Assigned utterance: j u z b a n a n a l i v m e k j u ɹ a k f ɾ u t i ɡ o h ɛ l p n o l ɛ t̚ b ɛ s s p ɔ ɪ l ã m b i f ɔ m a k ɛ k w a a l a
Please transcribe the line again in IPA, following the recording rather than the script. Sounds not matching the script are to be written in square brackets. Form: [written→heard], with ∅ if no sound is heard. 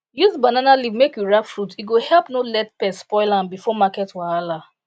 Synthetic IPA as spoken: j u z b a n a n a l i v m e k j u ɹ a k f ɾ u t i ɡ o h ɛ l p n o l ɛ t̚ [b→p] ɛ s s p ɔ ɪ l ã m b i f ɔ m a k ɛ [k→t] w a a l a